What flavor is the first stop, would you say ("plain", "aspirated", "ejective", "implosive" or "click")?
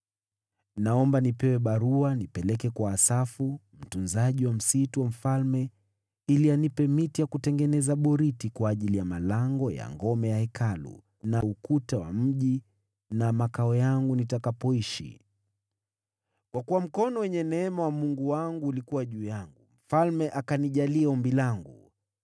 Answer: plain